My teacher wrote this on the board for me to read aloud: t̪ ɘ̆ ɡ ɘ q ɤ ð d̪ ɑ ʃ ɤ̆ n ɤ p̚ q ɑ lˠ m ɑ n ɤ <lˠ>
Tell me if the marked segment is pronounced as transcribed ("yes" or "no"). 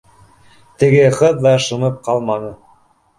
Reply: no